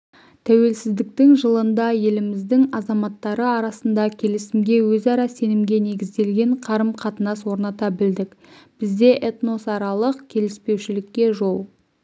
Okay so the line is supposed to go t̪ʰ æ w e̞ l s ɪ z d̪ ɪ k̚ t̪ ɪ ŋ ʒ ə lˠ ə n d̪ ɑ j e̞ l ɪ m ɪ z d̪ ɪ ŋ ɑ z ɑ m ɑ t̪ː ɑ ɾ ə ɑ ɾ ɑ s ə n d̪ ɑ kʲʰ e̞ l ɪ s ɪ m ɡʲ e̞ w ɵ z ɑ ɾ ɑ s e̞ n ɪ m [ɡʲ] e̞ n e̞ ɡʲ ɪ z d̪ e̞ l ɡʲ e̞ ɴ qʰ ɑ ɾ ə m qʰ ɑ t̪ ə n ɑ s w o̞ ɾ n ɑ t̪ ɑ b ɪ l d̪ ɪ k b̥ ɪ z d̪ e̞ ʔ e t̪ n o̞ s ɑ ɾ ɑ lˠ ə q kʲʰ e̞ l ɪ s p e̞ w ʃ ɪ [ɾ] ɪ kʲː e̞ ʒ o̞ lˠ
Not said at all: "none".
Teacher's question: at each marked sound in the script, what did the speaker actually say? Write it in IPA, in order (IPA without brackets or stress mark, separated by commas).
ɡʲ, l